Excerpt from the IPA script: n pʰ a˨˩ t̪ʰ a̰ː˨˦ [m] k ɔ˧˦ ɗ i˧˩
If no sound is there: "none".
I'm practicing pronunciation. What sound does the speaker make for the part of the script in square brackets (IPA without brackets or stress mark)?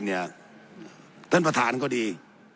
n